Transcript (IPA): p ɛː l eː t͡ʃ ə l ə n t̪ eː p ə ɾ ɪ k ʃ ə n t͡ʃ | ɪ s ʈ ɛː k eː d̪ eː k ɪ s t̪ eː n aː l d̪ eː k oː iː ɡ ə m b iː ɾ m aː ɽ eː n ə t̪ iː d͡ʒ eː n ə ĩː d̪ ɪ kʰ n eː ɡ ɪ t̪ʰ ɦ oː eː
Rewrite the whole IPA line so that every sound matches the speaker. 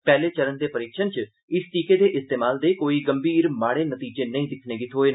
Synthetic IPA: p ɛː l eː t͡ʃ ə ɾ ə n d̪ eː p ə ɾ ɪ k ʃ ə n t͡ʃ | ɪ s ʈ iː k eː d̪ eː ʔ ɪ s t̪ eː m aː l d̪ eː k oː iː ɡ ə m b iː ɾ m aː ɽ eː n ə t̪ iː d͡ʒ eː n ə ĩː d̪ ɪ kʰ n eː ɡ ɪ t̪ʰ ɦ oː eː